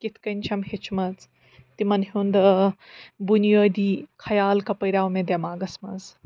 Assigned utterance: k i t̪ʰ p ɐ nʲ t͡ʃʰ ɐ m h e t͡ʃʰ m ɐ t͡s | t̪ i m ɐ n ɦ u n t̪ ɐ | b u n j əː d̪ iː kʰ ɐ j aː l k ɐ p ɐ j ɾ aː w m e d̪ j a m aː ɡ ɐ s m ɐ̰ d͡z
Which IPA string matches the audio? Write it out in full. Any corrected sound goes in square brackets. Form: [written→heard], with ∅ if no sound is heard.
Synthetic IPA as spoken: k i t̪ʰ [p→k] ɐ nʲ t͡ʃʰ ɐ m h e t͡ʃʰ m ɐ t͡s | t̪ i m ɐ n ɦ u n [t̪→d̪] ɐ | b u n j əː d̪ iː kʰ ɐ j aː l k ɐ p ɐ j ɾ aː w m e d̪ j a m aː ɡ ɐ s m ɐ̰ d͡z